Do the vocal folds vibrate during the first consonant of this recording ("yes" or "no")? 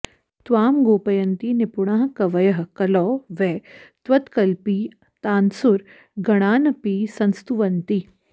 no